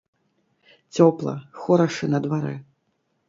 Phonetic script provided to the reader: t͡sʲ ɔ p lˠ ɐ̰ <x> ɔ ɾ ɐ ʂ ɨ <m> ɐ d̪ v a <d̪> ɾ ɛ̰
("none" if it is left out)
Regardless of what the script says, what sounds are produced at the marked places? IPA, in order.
x, n, none

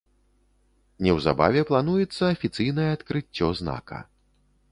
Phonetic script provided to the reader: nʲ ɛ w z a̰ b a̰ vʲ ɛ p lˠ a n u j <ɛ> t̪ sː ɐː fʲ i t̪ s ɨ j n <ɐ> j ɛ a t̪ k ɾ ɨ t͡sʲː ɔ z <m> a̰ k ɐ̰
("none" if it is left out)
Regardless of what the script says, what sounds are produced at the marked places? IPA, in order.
ɛ, ɐ, n

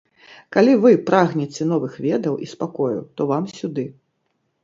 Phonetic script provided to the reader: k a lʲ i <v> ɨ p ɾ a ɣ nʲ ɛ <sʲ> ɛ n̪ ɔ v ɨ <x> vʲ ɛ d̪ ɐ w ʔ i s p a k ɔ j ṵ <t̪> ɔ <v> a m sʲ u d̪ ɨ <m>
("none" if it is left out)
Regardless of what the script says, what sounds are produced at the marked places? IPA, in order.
v, t͡sʲ, x, t̪, v, none

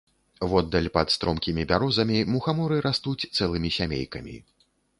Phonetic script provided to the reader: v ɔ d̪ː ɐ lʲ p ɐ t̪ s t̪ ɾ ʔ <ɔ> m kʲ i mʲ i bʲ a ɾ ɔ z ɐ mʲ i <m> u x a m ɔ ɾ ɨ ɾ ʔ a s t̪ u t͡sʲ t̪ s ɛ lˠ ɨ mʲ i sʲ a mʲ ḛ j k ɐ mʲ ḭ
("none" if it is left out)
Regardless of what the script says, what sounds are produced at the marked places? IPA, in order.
ɔ, m

